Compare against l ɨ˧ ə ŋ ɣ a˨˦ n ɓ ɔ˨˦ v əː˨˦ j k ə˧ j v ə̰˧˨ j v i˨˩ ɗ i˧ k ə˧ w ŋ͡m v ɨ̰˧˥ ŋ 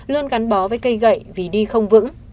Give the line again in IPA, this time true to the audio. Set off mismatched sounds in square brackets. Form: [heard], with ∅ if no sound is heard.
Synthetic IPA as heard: l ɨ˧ ə [n] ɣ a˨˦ n ɓ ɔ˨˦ v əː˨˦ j k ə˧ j [ɣ] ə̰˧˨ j v i˨˩ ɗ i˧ [x] ə˧ w ŋ͡m v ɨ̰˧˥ ŋ

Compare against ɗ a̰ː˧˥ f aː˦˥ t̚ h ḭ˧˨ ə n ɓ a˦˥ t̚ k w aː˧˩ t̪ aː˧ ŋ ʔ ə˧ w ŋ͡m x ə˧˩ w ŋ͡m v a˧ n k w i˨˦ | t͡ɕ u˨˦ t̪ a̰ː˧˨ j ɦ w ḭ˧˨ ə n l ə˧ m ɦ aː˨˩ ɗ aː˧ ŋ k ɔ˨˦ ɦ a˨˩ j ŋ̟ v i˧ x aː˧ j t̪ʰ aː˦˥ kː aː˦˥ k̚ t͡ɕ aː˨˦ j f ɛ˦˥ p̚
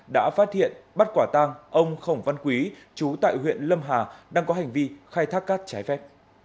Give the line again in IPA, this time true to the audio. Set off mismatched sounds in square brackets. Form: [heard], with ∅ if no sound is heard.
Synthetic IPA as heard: ɗ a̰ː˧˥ f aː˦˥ t̚ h ḭ˧˨ ə n ɓ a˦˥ t̚ k w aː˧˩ t̪ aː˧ ŋ ʔ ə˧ w ŋ͡m x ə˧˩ w ŋ͡m v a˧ n k w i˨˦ | t͡ɕ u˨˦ t̪ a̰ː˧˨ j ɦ w ḭ˧˨ ə n l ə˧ m ɦ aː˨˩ ɗ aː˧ ŋ k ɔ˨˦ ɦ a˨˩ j ŋ̟ v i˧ x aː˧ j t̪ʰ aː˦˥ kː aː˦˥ k̚ t͡ɕ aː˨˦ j f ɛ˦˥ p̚

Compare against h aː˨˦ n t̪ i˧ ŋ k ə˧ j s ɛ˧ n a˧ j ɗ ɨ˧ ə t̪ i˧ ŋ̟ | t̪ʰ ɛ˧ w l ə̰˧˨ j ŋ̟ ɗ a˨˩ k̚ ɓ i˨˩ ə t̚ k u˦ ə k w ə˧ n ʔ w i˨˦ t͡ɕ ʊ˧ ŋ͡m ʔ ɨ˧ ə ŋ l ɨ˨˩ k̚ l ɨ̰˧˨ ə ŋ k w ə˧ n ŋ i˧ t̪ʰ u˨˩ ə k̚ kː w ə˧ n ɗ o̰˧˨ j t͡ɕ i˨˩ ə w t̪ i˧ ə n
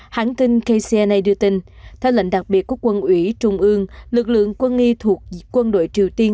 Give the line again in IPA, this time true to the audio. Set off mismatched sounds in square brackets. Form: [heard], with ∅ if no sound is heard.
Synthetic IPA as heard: h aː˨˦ n t̪ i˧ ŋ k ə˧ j s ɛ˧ n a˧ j ɗ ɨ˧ ə t̪ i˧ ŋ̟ | t̪ʰ ɛ˧ w l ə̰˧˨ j ŋ̟ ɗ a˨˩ k̚ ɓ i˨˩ ə t̚ k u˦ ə k w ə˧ n ʔ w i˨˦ t͡ɕ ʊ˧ ŋ͡m ʔ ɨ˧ ə ŋ l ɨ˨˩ k̚ l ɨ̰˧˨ ə ŋ k w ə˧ n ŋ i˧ t̪ʰ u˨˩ ə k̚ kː w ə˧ n ɗ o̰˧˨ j t͡ɕ i˨˩ ə w t̪ i˧ ə n

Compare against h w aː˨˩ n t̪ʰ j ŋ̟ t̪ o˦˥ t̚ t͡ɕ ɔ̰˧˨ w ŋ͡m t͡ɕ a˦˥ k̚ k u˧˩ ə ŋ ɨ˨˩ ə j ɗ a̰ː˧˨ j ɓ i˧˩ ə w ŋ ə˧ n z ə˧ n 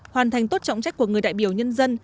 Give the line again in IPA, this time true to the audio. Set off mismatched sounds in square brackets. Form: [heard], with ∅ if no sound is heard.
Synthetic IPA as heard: h w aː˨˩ n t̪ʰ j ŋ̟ t̪ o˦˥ t̚ t͡ɕ ɔ̰˧˨ w ŋ͡m t͡ɕ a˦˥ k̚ k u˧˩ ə ŋ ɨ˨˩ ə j ɗ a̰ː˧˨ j ɓ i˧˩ ə w [ɲ] ə˧ n z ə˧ n

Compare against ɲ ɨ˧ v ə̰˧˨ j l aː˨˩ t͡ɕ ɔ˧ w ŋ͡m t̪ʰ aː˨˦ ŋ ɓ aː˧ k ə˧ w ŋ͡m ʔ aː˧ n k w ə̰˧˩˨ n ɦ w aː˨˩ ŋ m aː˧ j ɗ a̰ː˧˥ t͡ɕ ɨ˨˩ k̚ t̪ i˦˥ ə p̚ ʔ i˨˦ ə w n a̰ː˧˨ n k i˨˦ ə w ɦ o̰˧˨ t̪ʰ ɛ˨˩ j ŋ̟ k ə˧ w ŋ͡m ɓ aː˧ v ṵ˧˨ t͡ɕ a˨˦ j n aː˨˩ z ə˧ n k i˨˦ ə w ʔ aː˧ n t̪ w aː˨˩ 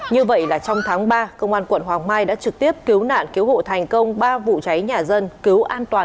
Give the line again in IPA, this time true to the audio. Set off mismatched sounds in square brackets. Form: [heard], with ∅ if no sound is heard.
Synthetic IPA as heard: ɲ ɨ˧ v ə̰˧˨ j l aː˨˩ t͡ɕ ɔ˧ w ŋ͡m t̪ʰ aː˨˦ ŋ ɓ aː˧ k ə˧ w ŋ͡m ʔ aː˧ n k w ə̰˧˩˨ n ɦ w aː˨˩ ŋ m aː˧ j ɗ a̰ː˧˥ t͡ɕ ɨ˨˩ k̚ t̪ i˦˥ ə p̚ [k] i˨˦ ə w n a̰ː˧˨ n k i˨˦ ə w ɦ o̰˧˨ t̪ʰ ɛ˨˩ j ŋ̟ k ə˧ w ŋ͡m ɓ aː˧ v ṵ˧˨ t͡ɕ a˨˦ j [ɲ] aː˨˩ z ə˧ n k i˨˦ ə w ʔ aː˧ n t̪ w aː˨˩

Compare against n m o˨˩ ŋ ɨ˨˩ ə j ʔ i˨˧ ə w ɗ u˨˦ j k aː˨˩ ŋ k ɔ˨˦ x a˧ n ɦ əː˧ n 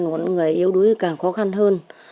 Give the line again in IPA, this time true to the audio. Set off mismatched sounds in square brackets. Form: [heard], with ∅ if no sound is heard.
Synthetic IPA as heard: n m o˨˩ ŋ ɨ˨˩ ə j ʔ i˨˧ ə w ɗ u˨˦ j k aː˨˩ ŋ [x] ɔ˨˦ x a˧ n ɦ əː˧ n

